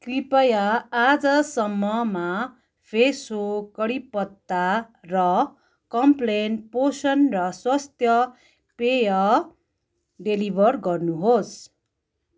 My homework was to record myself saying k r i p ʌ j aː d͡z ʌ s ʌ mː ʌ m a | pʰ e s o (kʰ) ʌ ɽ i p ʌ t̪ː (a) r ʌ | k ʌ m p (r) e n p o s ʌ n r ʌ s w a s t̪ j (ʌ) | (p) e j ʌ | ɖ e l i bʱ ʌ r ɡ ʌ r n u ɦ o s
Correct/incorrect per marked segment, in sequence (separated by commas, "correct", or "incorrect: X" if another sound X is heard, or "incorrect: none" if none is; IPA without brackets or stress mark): incorrect: k, correct, incorrect: l, correct, correct